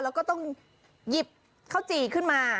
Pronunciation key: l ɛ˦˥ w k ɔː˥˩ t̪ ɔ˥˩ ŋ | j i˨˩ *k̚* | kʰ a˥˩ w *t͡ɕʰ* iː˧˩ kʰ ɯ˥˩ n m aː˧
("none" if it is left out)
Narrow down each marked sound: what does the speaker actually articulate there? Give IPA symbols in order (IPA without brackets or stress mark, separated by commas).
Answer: p̚, t͡ɕ